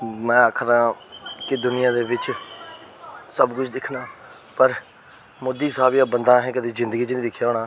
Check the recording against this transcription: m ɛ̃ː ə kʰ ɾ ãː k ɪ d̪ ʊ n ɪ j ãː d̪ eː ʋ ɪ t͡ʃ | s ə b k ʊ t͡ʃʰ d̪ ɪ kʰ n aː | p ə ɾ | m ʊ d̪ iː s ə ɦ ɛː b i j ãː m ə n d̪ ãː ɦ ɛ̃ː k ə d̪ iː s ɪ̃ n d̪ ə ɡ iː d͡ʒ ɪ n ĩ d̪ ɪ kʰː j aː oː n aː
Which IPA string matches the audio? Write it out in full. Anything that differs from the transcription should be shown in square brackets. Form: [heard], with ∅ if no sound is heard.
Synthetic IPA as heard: m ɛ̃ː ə kʰ ɾ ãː k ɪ d̪ ʊ n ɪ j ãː d̪ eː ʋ ɪ t͡ʃ | s ə b k ʊ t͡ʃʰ d̪ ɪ kʰ n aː | p ə ɾ | m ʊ d̪ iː s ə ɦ [aː] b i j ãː [b] ə n d̪ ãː ɦ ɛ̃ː k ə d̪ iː [z] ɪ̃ n d̪ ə ɡ iː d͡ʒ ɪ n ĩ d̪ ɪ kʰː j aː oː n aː

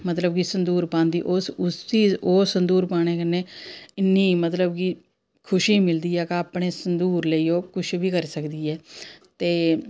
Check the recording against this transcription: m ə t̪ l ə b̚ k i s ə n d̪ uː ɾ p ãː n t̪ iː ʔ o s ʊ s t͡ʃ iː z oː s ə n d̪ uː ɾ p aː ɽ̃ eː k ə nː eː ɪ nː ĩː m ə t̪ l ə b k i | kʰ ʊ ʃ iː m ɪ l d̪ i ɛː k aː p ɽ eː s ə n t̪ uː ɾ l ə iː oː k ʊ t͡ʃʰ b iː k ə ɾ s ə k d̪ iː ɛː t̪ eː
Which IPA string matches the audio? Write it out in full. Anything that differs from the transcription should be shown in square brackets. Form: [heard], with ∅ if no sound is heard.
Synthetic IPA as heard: m ə t̪ l ə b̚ k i s ə n d̪ uː ɾ p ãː n [d̪] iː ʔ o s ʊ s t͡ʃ iː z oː s ə n d̪ uː ɾ p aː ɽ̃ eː k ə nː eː ɪ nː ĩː m ə t̪ l ə b k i | kʰ ʊ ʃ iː m ɪ l d̪ [iː] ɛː k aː p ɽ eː s ə n [d̪] uː ɾ l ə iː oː k ʊ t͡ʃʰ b iː k ə ɾ s ə k d̪ iː ɛː t̪ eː

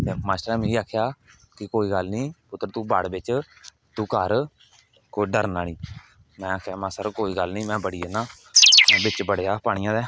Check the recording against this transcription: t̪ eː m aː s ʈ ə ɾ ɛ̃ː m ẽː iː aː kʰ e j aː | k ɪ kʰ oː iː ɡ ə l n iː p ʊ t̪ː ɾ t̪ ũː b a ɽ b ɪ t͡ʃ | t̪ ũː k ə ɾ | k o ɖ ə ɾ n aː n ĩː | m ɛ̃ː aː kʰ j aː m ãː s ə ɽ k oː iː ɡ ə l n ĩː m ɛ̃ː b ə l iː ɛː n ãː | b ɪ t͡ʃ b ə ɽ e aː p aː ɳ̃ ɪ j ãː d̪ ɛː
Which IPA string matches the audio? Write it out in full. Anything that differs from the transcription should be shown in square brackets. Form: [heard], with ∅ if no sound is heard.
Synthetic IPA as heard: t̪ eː m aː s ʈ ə ɾ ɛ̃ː m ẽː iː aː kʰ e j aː | k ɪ [k] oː iː ɡ ə l n iː p ʊ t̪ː ɾ t̪ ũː b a ɽ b ɪ t͡ʃ | t̪ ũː k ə ɾ | k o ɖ ə ɾ n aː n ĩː | m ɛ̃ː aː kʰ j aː m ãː s ə [ɾ] k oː iː ɡ ə l n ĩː m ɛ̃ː b ə [ɽ] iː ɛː n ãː | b ɪ t͡ʃ b ə ɽ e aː p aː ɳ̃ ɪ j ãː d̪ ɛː

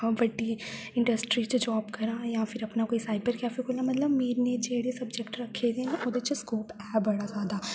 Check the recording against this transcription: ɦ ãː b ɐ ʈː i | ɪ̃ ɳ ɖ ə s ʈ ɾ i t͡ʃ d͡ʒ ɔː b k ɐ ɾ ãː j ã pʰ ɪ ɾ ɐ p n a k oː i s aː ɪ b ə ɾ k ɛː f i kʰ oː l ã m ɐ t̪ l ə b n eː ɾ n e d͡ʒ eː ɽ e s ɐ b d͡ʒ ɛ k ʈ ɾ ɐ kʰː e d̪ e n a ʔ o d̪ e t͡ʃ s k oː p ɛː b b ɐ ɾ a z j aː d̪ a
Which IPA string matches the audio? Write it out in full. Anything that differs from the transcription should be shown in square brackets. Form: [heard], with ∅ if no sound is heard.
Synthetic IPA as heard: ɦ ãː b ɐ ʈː i | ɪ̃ ɳ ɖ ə s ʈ ɾ i t͡ʃ d͡ʒ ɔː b k ɐ ɾ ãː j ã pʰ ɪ ɾ ɐ p n a k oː i s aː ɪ b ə ɾ k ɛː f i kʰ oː l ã m ɐ t̪ l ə b [m] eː ɾ n e d͡ʒ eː ɽ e s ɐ b d͡ʒ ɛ k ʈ ɾ ɐ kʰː e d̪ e n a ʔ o d̪ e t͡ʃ s k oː p ɛː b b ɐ [ɽ] a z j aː d̪ a

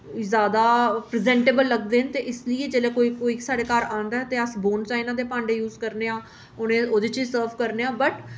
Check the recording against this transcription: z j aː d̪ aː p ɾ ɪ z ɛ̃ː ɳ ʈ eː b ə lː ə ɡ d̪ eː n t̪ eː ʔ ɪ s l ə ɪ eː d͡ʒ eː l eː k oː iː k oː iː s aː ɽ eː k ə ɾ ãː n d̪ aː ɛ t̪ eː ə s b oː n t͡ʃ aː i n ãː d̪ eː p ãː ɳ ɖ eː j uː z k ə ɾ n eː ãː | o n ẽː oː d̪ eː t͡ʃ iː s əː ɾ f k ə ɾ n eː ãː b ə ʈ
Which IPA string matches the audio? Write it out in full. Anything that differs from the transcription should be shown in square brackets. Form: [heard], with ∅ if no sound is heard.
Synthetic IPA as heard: z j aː d̪ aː p ɾ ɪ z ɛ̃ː ɳ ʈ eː b ə lː ə ɡ d̪ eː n t̪ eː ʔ ɪ s l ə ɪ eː d͡ʒ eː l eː k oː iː k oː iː s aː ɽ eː k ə ɾ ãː n d̪ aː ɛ t̪ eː ə s b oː n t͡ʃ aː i n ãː d̪ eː p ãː ɳ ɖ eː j uː z k ə ɾ n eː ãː | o n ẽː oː d̪ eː t͡ʃ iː s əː ɾ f k ə ɾ n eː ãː b ə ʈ

